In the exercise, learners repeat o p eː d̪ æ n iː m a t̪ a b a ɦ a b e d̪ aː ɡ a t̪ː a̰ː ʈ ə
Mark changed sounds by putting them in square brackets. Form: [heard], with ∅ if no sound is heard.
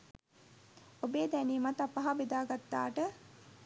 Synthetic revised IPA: o [b] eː d̪ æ n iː m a t̪ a [p] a ɦ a b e d̪ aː ɡ a t̪ː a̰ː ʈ ə